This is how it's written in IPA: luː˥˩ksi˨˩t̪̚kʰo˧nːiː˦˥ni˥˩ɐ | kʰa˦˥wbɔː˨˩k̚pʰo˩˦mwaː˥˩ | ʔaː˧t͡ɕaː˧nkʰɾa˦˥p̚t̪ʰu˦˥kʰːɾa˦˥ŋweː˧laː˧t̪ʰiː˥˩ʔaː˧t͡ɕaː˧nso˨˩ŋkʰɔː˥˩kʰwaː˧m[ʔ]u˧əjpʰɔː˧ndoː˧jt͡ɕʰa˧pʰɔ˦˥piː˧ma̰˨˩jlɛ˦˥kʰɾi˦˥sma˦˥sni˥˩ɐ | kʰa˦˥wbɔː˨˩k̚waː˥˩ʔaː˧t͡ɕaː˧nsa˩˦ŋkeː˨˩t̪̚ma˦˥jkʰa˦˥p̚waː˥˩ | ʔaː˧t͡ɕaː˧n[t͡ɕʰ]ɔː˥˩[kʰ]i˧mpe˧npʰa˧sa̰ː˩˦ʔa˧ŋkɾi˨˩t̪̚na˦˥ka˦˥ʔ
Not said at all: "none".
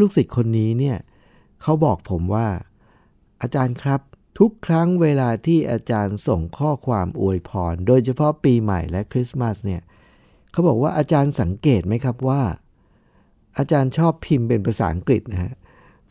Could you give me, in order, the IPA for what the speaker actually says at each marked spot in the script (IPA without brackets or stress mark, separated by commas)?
ʔ, t͡ɕʰ, pʰ